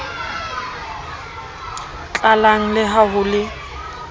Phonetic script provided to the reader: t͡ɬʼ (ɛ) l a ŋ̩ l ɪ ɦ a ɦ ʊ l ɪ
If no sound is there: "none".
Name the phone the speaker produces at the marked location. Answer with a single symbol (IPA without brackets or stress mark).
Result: a